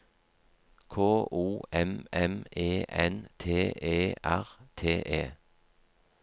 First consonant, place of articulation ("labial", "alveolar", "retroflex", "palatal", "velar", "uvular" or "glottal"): velar